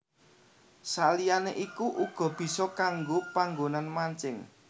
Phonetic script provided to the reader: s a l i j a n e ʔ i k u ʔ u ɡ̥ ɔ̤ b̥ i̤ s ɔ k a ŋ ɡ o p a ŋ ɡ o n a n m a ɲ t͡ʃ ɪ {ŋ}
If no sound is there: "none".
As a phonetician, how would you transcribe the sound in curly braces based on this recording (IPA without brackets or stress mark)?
ŋ